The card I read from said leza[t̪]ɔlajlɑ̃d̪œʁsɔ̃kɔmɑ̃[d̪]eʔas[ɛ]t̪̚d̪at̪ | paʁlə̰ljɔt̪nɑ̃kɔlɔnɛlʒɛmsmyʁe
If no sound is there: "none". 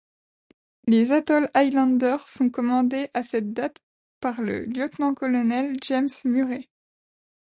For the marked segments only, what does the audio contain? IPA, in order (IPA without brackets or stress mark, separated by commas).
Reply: t̪, d̪, ɛ